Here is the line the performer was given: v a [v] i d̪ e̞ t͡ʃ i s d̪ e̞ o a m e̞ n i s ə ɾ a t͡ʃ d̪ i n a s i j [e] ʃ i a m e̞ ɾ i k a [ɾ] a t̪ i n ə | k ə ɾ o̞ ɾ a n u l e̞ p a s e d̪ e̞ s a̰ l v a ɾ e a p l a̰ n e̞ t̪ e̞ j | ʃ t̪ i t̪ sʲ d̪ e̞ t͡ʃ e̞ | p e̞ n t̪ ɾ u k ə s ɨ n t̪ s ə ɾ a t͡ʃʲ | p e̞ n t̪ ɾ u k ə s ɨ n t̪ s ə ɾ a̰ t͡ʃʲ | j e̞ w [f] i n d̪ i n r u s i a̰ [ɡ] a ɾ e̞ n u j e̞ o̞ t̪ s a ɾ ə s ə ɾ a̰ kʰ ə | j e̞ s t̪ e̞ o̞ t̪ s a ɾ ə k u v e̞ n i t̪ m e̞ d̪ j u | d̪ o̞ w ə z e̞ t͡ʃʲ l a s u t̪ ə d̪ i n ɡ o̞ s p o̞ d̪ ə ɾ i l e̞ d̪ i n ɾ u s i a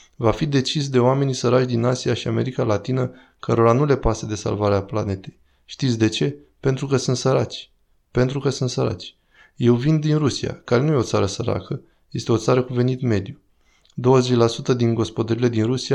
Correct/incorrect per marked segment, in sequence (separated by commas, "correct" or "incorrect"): incorrect, incorrect, incorrect, incorrect, incorrect